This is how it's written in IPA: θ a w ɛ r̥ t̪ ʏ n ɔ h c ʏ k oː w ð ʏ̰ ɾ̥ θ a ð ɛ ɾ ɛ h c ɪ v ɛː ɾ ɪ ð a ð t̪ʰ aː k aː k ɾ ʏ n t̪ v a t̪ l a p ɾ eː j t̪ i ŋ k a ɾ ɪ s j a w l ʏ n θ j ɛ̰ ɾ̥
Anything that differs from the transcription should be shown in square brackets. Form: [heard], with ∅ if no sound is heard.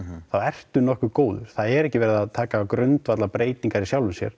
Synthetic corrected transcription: θ a w ɛ r̥ t̪ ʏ n ɔ h [k] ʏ k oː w ð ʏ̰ ɾ̥ θ a ð ɛ ɾ ɛ h c ɪ v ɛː ɾ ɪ ð a ð t̪ʰ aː k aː k ɾ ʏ n t̪ v a t̪ l a p ɾ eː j t̪ i ŋ k a ɾ [i] s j a w l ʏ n [s] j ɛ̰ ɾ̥